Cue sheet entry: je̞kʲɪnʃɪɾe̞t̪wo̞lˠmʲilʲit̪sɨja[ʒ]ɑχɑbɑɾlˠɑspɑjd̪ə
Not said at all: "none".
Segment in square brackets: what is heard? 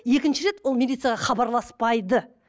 ʁ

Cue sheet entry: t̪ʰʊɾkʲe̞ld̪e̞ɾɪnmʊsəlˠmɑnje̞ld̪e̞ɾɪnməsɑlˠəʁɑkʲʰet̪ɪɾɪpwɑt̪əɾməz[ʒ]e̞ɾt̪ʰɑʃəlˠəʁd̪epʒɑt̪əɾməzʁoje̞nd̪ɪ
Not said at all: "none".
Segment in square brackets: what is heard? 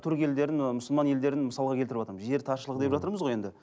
ʒ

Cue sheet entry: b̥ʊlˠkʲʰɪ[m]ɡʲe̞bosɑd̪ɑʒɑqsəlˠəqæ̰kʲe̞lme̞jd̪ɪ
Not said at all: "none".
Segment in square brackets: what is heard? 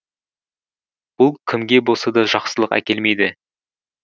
m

